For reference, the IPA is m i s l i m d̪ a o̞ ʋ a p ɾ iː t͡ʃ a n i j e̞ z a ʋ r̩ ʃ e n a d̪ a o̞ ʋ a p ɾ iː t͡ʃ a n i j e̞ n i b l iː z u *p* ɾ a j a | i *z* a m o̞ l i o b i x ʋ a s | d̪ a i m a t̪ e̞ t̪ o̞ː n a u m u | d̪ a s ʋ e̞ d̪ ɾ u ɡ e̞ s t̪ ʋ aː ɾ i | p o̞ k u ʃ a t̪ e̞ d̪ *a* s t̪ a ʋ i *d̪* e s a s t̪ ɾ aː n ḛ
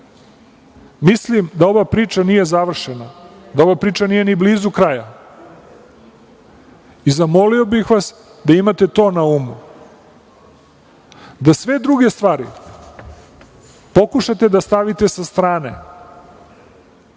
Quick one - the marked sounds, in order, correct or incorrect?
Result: incorrect: k, correct, correct, incorrect: t̪

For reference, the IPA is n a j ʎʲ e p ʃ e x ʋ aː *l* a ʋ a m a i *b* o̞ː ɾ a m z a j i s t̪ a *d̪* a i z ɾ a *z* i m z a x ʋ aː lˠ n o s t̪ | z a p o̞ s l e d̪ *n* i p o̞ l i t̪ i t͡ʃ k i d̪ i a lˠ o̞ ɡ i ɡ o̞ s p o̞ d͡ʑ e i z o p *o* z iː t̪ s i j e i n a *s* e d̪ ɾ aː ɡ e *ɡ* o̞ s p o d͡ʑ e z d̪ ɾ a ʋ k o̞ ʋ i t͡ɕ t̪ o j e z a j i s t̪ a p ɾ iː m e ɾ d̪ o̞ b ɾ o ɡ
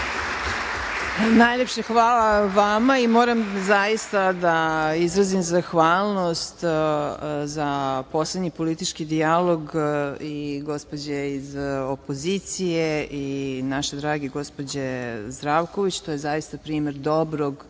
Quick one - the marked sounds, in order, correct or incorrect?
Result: correct, incorrect: m, correct, correct, incorrect: ɲ, correct, incorrect: ʃ, correct

